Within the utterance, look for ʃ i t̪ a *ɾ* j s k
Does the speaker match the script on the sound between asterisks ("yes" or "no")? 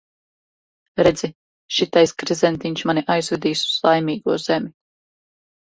no